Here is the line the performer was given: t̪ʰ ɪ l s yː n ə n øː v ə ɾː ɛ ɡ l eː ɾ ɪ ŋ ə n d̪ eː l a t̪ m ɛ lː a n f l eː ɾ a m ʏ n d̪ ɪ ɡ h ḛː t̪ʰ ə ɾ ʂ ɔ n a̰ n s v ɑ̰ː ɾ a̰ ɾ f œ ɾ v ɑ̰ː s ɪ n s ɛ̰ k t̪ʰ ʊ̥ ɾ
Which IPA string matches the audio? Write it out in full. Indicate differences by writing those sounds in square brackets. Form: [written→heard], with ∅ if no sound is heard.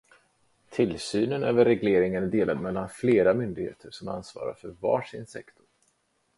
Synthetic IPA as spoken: t̪ʰ ɪ l s yː n ə n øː v ə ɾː ɛ ɡ l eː ɾ ɪ ŋ ə n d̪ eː l a [t̪→d̪] m ɛ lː a n f l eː ɾ a m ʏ n d̪ ɪ ɡ h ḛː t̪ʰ ə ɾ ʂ ɔ [n→m] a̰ n s v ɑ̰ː ɾ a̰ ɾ f œ ɾ v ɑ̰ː [s→ʂ] ɪ n s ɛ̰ k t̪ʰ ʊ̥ ɾ